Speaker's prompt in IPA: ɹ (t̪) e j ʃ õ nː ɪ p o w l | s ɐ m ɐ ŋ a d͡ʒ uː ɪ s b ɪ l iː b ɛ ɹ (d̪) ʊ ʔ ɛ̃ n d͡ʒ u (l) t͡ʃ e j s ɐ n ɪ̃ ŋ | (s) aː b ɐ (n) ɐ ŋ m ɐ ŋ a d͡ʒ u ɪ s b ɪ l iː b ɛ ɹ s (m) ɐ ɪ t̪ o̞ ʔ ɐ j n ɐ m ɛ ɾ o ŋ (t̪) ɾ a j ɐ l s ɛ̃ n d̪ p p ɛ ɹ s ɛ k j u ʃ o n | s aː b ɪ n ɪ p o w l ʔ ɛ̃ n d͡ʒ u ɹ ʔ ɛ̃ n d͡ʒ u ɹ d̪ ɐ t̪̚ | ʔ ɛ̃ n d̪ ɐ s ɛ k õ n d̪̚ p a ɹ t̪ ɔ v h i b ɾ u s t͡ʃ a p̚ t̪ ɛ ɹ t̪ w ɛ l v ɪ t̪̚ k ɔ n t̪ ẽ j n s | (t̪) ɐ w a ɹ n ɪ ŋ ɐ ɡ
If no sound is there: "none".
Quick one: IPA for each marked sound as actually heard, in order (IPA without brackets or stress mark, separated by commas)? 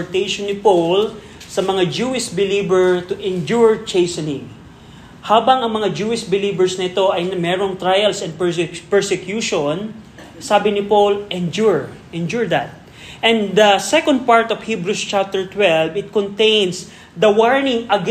t̪, t̪, ɹ, h, ŋ, n, t̪, d̪